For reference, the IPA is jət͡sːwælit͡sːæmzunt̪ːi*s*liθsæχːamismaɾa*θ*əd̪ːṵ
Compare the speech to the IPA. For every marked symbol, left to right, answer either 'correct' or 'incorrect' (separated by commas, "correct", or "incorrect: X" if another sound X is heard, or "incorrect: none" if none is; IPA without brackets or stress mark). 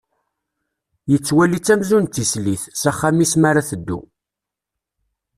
correct, correct